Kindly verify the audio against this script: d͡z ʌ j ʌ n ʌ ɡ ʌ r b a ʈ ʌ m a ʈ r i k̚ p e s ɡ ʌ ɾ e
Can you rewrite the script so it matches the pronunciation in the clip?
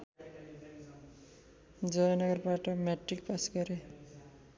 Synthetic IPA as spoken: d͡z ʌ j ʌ n ʌ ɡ ʌ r b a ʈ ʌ m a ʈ r i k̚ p a s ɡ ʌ ɾ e